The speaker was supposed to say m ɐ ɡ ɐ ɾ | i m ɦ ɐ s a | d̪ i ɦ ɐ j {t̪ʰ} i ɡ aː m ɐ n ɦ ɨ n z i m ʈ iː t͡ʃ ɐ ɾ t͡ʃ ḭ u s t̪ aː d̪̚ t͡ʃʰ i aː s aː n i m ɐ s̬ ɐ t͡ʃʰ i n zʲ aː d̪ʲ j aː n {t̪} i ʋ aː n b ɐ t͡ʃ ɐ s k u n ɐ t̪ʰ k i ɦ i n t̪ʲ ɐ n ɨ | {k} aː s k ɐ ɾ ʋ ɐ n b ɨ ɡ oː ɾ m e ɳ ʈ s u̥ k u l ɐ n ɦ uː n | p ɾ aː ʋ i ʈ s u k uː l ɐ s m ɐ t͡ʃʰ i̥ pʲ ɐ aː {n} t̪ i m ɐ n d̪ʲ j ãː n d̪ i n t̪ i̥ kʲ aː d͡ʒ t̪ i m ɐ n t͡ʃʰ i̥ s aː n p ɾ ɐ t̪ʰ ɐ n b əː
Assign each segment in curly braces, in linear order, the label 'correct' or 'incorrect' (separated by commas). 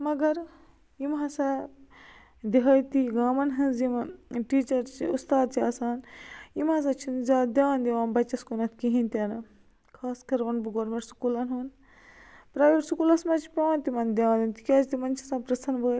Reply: incorrect, incorrect, incorrect, correct